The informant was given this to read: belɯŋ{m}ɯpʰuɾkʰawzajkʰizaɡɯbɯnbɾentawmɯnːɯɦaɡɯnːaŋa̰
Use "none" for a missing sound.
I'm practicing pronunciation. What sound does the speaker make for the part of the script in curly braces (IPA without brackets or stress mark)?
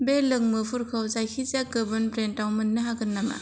m